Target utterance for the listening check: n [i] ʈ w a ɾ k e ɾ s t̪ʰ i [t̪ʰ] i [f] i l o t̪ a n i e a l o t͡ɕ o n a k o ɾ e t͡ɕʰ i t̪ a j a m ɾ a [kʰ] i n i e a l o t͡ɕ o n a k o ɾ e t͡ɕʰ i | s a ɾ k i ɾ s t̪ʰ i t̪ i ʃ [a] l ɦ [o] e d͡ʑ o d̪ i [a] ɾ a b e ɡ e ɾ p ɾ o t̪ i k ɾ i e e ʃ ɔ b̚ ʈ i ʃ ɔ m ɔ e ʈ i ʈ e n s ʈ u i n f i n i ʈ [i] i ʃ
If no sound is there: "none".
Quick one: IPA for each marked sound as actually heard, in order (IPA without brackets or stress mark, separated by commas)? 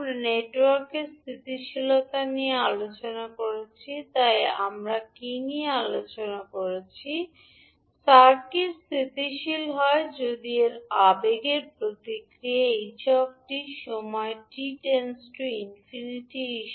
e, t̪, ʃ, k, i, ɔ, e, i